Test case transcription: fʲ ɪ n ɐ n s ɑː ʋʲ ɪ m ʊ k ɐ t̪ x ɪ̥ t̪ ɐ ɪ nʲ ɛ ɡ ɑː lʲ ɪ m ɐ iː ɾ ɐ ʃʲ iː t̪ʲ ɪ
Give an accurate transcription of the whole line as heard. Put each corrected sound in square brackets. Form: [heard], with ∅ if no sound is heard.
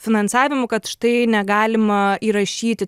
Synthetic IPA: fʲ ɪ n ɐ n s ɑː ʋʲ ɪ m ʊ k ɐ t̪ [ʃ] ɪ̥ t̪ ɐ ɪ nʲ ɛ ɡ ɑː lʲ ɪ m ɐ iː ɾ ɐ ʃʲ iː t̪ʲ ɪ

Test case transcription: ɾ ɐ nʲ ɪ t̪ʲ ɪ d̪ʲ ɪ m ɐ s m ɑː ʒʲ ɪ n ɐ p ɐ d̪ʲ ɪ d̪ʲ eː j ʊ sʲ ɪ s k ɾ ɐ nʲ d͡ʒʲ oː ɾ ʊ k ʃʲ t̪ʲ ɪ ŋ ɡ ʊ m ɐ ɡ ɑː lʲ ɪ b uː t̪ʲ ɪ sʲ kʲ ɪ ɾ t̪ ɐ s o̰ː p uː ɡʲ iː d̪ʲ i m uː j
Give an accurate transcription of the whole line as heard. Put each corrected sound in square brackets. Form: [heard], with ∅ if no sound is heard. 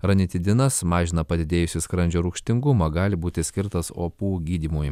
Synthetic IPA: ɾ ɐ nʲ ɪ t̪ʲ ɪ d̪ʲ ɪ [n] ɐ s m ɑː ʒʲ ɪ n ɐ p ɐ d̪ʲ ɪ d̪ʲ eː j ʊ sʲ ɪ s k ɾ ɐ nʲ d͡ʒʲ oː ɾ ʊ k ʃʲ t̪ʲ ɪ ŋ ɡ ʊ m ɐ ɡ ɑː lʲ ɪ b uː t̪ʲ ɪ sʲ kʲ ɪ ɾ t̪ ɐ s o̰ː p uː ɡʲ iː d̪ʲ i m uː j

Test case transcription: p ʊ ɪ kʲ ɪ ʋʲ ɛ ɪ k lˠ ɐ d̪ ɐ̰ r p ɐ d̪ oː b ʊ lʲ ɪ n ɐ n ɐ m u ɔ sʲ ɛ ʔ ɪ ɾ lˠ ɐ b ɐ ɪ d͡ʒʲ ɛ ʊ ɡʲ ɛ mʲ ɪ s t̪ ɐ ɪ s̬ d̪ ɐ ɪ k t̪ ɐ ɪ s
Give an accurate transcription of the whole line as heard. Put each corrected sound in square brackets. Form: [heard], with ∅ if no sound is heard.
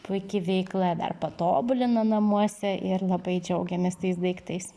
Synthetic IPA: p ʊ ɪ kʲ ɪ ʋʲ ɛ ɪ k lˠ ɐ d̪ ɐ̰ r p ɐ [t̪] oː b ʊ lʲ ɪ n ɐ n ɐ m u ɔ sʲ ɛ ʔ ɪ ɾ lˠ ɐ b ɐ ɪ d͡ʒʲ ɛ ʊ ɡʲ ɛ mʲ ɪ s t̪ ɐ ɪ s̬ d̪ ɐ ɪ k t̪ ɐ ɪ s

